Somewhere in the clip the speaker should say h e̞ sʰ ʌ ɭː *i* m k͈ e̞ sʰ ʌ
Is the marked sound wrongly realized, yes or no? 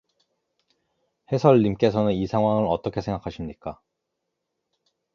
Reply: no